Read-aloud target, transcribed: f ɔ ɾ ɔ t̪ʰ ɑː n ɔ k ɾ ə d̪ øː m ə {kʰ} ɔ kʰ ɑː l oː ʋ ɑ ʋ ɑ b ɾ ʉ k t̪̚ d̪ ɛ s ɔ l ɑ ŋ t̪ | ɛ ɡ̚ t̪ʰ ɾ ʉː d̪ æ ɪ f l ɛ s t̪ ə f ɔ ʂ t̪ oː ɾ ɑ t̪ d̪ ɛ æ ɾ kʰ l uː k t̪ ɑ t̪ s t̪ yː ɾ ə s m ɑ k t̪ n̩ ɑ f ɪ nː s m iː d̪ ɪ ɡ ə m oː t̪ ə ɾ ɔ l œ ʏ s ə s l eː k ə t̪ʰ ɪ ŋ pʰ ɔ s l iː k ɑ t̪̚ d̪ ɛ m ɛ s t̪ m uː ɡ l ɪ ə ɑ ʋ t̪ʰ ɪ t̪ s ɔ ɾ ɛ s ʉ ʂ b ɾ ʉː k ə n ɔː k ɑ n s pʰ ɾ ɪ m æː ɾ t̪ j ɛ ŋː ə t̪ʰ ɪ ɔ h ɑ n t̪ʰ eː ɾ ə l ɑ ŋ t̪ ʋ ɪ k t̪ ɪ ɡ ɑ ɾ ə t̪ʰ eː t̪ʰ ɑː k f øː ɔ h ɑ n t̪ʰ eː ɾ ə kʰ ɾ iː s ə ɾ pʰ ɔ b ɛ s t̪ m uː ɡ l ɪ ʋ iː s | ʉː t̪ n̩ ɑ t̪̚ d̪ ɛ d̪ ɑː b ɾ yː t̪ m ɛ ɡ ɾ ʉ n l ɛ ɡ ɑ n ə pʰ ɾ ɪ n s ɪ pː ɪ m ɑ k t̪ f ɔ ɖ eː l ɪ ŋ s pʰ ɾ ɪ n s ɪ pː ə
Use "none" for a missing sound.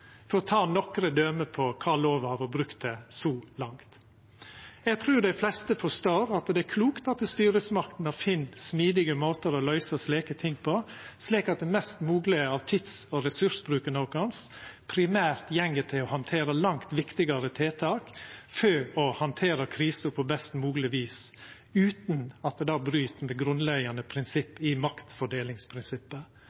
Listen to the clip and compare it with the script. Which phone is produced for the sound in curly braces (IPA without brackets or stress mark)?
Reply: pʰ